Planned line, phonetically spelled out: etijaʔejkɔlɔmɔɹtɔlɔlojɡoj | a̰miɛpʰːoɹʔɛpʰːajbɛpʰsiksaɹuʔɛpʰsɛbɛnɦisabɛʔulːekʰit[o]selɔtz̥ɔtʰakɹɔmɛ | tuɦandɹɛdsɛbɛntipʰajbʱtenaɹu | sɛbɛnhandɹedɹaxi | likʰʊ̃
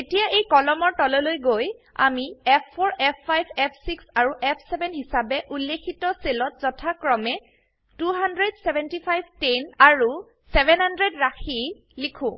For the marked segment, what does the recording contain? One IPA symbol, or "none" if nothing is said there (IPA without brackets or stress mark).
ɔ